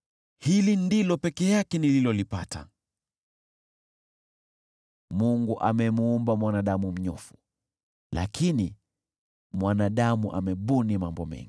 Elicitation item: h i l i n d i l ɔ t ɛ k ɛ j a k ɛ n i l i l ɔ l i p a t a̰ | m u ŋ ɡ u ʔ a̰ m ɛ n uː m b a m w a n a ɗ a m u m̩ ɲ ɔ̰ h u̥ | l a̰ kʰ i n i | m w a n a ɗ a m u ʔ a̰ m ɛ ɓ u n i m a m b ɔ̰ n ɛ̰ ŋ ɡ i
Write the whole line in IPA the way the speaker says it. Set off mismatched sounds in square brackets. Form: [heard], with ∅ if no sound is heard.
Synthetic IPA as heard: h i l i n d i l ɔ [p] ɛ k ɛ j a k ɛ n i l i l ɔ l i p a t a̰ | m u ŋ ɡ u ʔ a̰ m ɛ [m] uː m b a m w a n a ɗ a m u m̩ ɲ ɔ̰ [f] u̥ | l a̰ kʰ i n i | m w a n a ɗ a m u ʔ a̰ m ɛ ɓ u n i m a m b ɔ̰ [m] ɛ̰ ŋ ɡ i